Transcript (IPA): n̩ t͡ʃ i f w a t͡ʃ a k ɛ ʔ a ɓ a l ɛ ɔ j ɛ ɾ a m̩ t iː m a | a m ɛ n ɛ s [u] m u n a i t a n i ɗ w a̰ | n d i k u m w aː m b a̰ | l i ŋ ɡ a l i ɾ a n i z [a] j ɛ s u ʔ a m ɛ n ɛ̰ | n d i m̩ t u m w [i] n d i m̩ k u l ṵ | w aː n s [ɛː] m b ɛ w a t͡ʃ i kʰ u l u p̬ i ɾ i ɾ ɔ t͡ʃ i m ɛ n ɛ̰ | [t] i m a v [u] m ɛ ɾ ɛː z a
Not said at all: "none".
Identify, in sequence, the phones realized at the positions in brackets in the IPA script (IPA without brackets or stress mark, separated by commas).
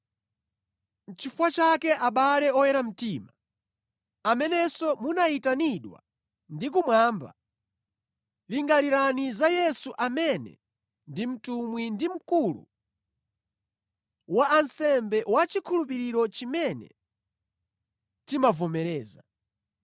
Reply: ɔ, a, i, ɛ, t, ɔ